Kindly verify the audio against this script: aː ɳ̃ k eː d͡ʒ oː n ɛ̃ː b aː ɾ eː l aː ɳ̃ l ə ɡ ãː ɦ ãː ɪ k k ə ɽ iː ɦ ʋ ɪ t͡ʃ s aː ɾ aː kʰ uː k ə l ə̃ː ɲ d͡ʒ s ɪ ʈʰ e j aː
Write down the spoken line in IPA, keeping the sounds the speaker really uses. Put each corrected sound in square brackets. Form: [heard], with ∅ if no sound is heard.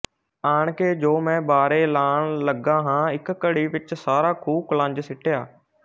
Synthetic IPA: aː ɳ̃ k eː d͡ʒ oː [m] ɛ̃ː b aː ɾ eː l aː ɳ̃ l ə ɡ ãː ɦ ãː ɪ k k ə ɽ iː [∅] ʋ ɪ t͡ʃ s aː ɾ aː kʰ uː k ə l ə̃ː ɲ d͡ʒ s ɪ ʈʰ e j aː